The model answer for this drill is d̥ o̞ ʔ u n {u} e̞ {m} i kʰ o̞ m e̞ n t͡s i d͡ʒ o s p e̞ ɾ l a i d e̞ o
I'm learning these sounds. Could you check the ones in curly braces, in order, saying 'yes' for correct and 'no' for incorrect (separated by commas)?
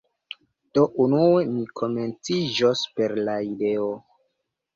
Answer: yes, yes